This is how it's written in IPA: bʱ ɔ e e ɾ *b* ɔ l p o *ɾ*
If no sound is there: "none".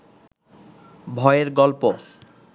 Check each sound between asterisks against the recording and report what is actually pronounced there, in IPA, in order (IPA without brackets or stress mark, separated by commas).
ɡ, none